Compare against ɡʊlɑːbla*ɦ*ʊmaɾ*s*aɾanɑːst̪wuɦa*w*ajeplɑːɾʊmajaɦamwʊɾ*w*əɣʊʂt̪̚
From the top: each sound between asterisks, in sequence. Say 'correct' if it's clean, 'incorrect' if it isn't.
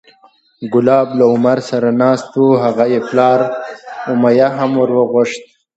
incorrect, correct, incorrect, correct

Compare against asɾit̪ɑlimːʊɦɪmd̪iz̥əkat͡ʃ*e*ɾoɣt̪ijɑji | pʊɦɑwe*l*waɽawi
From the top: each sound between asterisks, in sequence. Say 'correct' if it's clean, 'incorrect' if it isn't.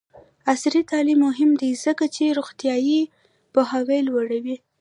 correct, correct

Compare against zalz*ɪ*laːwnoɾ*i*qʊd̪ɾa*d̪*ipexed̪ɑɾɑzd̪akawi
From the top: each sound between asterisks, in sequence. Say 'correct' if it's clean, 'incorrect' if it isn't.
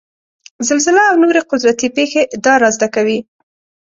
correct, incorrect, incorrect

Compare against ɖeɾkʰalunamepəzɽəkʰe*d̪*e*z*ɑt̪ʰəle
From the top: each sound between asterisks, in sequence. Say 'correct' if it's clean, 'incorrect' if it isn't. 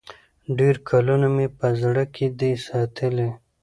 correct, incorrect

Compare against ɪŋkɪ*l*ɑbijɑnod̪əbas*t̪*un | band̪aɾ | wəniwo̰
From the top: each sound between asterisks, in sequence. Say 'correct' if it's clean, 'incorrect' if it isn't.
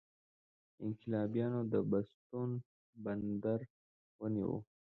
correct, correct

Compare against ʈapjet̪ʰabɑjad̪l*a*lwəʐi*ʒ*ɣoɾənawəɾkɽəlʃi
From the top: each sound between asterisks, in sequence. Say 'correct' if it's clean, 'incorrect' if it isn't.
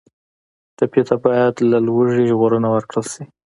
correct, correct

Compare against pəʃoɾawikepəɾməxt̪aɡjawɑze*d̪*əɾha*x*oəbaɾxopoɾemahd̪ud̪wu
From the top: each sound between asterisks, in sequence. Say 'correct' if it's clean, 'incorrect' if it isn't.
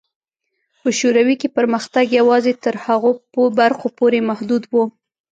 incorrect, incorrect

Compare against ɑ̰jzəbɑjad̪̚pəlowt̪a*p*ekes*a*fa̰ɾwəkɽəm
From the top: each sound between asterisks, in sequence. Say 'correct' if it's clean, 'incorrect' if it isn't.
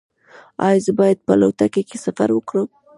incorrect, correct

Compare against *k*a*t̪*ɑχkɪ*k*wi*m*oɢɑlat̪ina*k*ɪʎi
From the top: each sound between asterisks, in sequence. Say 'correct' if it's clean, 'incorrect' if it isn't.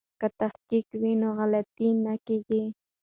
correct, correct, correct, incorrect, correct

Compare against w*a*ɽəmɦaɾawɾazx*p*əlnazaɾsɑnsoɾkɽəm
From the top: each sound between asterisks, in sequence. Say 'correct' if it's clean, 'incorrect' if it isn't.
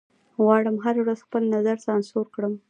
incorrect, correct

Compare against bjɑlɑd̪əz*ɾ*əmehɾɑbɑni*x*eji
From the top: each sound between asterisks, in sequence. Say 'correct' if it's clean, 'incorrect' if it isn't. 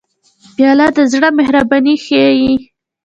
incorrect, correct

